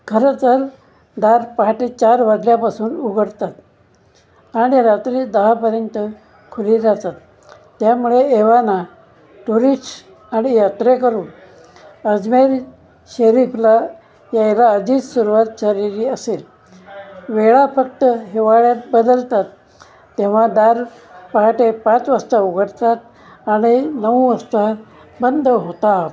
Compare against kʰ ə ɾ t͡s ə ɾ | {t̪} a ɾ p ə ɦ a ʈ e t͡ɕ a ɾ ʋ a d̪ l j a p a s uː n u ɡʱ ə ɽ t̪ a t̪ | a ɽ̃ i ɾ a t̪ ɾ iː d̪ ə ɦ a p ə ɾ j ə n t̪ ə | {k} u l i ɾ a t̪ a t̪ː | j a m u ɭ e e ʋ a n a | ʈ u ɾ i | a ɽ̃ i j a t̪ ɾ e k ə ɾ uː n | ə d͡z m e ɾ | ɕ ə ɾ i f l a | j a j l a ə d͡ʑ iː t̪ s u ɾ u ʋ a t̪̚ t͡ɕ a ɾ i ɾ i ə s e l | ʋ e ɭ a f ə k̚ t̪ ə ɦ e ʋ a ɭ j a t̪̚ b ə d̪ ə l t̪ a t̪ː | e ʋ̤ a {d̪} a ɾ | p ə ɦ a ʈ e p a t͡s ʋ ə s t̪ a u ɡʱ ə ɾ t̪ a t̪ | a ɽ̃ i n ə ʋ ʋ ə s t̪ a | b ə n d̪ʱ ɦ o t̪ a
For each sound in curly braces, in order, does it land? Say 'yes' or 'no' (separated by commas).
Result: no, no, yes